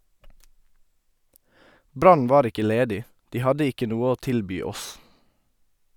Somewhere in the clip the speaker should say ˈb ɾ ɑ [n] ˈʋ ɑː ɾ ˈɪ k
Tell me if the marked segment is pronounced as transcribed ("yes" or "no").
yes